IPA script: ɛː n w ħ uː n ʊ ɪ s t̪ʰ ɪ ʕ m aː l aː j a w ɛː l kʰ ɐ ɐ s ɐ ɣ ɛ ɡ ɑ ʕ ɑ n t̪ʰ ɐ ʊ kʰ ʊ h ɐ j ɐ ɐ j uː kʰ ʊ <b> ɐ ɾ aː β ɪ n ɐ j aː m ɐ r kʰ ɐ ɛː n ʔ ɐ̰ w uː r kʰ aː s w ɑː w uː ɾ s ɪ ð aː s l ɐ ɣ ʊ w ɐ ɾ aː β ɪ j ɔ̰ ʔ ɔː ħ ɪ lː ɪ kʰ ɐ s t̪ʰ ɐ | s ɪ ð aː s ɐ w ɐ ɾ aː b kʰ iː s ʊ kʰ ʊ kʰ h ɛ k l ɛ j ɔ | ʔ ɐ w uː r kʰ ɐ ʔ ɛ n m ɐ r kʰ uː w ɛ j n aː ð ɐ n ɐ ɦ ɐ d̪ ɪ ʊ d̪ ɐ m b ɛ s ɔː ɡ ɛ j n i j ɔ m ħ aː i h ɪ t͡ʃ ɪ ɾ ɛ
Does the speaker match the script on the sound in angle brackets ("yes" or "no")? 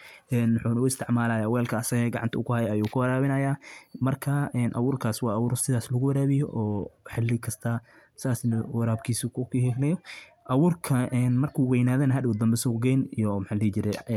no